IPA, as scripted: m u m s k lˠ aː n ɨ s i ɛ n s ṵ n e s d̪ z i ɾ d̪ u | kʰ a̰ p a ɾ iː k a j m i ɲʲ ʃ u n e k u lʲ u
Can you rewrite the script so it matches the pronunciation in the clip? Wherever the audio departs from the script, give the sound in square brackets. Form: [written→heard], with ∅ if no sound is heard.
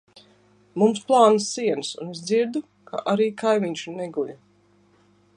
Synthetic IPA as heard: m u m s [k→p] lˠ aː n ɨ s i ɛ n s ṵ n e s d̪ z i ɾ d̪ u | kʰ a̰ [p→ʔ] a ɾ iː k a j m i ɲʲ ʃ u n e [k→ɡ] u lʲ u